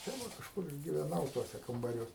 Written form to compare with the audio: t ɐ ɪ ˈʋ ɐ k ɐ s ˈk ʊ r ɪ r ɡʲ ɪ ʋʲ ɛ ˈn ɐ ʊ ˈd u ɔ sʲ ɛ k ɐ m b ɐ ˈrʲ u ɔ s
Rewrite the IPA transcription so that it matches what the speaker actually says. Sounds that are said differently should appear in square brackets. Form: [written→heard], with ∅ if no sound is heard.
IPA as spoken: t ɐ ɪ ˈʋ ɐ k ɐ [s→ʃ] ˈk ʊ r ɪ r ɡʲ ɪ ʋʲ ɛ ˈn ɐ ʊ [ˈd→ˈt] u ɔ sʲ ɛ k ɐ m b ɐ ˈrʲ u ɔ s